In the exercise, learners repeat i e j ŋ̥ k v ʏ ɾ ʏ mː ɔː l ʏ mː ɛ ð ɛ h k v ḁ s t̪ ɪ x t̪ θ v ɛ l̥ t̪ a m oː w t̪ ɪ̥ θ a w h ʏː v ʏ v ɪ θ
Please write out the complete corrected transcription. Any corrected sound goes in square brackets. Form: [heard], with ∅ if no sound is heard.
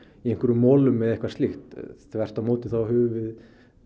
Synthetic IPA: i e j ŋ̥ k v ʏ ɾ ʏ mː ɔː l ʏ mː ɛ ð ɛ h k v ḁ s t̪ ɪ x t̪ θ v ɛ [r̥] t̪ a m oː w t̪ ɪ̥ θ a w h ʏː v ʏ v ɪ [ð]